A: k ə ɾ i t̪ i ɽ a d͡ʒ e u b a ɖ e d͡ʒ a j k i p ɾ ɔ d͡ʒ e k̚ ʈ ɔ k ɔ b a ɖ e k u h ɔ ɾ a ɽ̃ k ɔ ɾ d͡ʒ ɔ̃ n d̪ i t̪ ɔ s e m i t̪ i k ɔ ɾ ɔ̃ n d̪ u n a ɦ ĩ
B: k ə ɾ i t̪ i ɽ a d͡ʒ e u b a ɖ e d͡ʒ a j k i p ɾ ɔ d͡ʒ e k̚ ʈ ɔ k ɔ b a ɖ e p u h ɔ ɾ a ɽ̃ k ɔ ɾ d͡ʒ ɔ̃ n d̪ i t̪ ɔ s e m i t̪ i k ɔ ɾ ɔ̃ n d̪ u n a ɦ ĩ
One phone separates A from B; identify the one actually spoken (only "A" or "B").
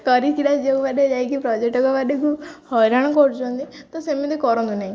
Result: A